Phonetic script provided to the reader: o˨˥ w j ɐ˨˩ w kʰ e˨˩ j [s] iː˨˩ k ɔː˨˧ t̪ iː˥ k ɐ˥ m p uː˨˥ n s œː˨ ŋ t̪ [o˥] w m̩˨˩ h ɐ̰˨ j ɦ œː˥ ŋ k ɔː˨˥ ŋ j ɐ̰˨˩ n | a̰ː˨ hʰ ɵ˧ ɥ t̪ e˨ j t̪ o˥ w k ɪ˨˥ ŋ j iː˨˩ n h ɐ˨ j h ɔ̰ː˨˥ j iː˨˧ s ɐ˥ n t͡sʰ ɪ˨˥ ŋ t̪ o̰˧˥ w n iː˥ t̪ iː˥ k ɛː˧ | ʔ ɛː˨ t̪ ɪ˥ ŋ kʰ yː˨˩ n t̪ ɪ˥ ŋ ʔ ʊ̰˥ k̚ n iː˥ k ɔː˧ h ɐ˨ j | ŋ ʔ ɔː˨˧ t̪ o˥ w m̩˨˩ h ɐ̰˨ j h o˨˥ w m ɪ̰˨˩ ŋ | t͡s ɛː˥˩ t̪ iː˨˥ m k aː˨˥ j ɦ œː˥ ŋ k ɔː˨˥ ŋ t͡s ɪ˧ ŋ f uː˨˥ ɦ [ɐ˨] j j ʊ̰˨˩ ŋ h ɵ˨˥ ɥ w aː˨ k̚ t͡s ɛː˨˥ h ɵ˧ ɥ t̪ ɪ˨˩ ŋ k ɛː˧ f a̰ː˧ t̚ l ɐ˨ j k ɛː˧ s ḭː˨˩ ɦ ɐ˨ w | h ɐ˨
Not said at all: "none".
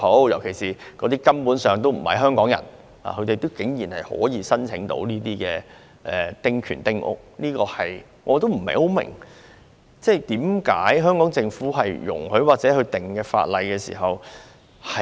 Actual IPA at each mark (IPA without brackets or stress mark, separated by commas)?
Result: s, o˥, ɐ˨